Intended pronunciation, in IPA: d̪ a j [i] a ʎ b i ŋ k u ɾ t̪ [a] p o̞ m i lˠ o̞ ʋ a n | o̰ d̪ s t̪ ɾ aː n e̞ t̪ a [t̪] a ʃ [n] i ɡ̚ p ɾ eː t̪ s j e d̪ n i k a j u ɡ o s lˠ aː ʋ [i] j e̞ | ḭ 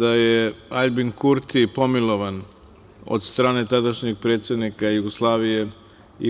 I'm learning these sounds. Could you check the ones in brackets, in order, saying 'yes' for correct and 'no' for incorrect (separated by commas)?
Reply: no, no, no, no, yes